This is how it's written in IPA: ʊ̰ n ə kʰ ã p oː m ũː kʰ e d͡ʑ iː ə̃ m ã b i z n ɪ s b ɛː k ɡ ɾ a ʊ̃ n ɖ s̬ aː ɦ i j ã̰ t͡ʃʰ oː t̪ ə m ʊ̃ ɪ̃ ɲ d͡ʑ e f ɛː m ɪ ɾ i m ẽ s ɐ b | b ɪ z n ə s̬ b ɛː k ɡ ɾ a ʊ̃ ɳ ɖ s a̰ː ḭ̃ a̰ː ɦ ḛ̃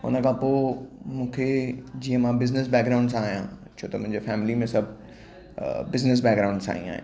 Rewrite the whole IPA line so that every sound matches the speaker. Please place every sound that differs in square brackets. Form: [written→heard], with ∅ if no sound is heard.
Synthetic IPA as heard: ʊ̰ n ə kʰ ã p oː m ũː kʰ e d͡ʑ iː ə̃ m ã b [i→ɪ] z n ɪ s b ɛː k ɡ ɾ a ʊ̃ [n→ɳ] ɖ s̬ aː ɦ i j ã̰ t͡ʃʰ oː t̪ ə m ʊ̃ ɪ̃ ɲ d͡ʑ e f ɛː m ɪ [ɾ→l] i m ẽ s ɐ b | b ɪ z n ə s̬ b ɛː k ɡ ɾ a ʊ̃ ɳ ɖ s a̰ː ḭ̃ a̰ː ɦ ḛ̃